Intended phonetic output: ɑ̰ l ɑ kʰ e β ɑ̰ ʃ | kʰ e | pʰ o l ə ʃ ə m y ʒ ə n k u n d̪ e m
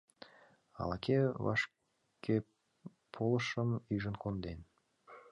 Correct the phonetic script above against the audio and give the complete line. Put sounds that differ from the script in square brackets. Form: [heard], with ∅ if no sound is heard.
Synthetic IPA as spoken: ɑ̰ l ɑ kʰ e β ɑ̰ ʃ | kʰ e | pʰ o l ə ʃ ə m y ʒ ə n k [o] n d̪ e [n]